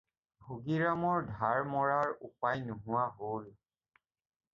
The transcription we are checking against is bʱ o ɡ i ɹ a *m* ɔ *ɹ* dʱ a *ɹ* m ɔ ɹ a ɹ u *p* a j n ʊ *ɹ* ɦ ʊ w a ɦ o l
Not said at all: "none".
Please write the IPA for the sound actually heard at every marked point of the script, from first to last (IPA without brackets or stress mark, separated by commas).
m, ɹ, ɹ, p, none